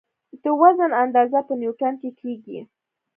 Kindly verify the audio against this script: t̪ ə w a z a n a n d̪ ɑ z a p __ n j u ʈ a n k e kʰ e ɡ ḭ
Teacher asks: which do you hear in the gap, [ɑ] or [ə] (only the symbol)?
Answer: ə